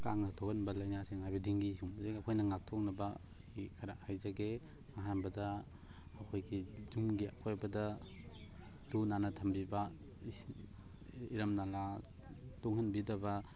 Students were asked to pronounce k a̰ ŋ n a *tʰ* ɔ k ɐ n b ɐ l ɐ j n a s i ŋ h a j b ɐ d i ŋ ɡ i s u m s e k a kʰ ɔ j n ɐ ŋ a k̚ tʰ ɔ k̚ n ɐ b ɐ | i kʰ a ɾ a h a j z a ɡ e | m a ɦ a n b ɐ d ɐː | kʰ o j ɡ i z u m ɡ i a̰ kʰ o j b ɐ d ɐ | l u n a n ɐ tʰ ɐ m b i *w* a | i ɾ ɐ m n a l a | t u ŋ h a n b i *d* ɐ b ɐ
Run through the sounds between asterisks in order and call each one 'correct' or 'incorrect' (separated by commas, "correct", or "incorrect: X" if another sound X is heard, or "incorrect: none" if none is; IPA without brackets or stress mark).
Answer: correct, incorrect: b, correct